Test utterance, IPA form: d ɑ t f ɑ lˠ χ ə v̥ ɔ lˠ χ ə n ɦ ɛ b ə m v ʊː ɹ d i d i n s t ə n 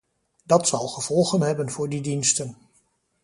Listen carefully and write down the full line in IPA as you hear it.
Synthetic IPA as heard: d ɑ t s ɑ lˠ χ ə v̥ ɔ lˠ χ ə n ɦ ɛ b ə n v ʊː ɹ d i d i n s t ə n